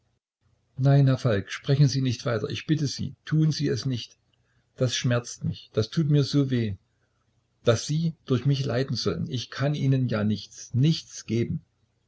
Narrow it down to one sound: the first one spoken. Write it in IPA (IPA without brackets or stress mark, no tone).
n